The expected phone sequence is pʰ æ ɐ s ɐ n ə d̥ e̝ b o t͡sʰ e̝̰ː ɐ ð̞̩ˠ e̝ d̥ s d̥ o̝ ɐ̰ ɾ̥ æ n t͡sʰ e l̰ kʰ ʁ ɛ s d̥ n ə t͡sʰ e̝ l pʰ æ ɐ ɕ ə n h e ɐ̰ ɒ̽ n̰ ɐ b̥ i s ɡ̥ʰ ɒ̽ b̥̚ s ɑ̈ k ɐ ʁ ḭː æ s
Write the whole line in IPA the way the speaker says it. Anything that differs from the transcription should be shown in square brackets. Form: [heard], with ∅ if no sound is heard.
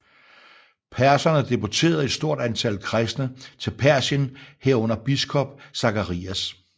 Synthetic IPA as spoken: pʰ æ ɐ s ɐ n ə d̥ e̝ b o t͡sʰ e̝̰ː ɐ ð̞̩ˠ e̝ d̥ s d̥ o̝ ɐ̰ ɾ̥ æ n t͡sʰ [æ] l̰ kʰ ʁ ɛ s d̥ n ə t͡sʰ e̝ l pʰ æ ɐ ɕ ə n h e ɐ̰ [ɔ̽] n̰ ɐ b̥ i s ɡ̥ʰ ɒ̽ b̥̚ s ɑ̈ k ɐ ʁ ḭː æ s